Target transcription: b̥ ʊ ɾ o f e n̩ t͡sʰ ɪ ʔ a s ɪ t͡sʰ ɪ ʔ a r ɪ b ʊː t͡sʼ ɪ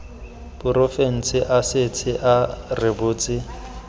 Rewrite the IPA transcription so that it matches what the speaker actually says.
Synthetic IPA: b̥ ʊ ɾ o f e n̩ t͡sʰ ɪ ʔ a s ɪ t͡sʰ ɪ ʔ a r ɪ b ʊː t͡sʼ ɪ

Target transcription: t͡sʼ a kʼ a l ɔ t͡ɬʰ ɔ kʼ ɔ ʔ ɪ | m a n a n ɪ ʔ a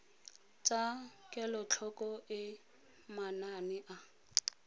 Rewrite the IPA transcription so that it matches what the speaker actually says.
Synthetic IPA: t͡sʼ a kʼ ɛ l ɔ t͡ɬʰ ɔ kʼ ɔ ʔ ɪ | m a n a n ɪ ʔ a

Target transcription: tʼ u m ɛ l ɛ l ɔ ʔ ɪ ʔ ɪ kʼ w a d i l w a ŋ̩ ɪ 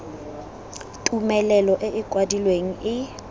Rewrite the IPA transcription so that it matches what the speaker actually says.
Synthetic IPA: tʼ u m ɛ l ɛ l ɔ ʔ ɪ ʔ ɪ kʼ w a d i l w e ŋ̩ ɪ

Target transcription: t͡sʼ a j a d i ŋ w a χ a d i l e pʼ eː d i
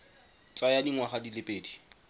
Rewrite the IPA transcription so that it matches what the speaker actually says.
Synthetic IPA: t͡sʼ a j a d i ŋ w a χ a d i l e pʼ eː d i

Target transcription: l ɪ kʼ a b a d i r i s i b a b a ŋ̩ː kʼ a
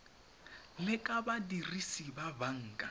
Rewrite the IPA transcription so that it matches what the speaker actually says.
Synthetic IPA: l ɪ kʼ a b a d i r i s i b a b a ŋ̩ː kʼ a

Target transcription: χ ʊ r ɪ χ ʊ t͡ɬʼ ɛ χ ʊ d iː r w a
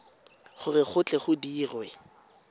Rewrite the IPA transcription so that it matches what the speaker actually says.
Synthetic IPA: χ ʊ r ɪ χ ʊ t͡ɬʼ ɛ χ ʊ d iː r w ɛ

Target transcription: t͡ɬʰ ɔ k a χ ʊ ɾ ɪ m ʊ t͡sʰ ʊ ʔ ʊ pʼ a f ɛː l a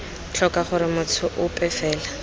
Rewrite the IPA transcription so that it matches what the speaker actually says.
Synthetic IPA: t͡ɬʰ ɔ k a χ ʊ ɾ ɪ m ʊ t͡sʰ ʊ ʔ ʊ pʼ ɛ f ɛː l a

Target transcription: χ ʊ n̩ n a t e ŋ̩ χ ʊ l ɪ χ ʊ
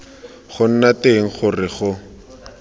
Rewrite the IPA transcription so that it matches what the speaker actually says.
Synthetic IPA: χ ʊ n̩ n a t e ŋ̩ χ ʊ r ɪ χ ʊ

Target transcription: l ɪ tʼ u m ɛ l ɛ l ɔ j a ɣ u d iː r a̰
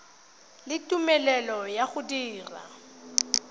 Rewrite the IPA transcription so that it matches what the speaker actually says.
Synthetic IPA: l ɪ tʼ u m ɛ l ɛ l ɔ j a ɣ ʊ d iː r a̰

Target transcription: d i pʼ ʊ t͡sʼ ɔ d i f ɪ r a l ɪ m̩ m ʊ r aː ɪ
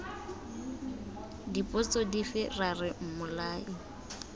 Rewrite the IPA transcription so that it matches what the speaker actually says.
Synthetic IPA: d i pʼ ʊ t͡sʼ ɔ d i f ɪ r a r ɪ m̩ m ʊ l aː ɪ

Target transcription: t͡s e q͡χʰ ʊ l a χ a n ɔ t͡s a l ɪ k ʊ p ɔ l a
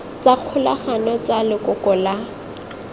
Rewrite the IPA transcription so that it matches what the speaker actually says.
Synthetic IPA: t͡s a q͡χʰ ʊ l a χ a n ɔ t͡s a l ɪ k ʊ k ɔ l a

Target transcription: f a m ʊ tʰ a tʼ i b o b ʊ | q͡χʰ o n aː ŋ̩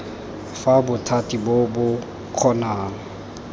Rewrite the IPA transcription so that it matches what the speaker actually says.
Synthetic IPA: f a b ʊ tʰ a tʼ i b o b ʊ | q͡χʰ ɔ n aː ŋ̩

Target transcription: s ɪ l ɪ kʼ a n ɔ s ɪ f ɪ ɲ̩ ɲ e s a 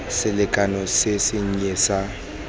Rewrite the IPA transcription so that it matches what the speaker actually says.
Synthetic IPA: s ɪ l ɪ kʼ a n ɔ s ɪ s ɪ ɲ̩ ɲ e s a

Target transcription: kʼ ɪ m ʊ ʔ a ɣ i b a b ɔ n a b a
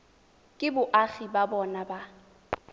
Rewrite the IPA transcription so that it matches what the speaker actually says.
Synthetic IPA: kʼ ɪ b ʊ ʔ a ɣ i b a b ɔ n a b a

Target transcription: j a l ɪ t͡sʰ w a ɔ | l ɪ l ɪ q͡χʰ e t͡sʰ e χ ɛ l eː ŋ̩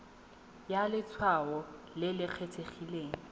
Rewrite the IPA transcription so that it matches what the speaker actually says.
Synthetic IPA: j a l ɪ t͡sʰ w a ɔ | l ɪ l ɪ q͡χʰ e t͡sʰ e χ i l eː ŋ̩

